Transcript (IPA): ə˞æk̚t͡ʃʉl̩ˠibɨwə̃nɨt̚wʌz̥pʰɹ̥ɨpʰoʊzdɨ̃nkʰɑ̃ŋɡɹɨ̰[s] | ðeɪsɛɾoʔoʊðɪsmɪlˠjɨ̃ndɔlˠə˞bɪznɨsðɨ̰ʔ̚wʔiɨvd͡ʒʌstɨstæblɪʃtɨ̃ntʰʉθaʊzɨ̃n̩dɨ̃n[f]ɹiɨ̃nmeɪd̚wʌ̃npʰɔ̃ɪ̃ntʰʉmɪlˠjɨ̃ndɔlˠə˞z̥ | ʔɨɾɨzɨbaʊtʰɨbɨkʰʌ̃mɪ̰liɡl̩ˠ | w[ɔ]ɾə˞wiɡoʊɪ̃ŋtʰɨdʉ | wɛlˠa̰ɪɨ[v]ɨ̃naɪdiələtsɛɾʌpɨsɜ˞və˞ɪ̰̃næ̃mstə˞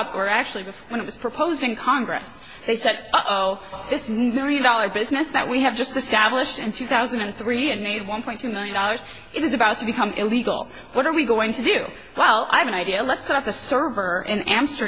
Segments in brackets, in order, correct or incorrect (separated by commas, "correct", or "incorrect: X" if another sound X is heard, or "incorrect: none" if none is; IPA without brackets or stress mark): correct, incorrect: θ, incorrect: ʌ, correct